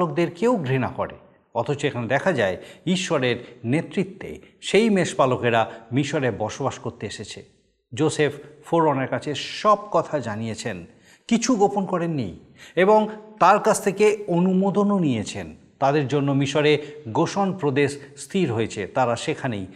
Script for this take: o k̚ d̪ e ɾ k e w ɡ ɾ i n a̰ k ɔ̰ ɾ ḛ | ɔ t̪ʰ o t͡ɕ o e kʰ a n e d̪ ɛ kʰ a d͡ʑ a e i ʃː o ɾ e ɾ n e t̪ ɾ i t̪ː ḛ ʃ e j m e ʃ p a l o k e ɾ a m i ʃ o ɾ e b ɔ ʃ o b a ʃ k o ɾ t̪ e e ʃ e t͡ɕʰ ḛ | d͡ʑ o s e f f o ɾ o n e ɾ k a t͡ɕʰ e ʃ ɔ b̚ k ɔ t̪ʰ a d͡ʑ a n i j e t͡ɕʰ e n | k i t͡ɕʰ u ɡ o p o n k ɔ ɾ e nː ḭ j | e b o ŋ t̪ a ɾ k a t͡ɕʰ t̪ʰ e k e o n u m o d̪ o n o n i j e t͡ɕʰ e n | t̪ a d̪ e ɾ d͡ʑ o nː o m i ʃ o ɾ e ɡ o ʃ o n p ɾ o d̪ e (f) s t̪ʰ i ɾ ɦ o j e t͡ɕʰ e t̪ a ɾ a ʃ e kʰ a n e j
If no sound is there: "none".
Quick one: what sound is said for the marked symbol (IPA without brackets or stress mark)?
ʃ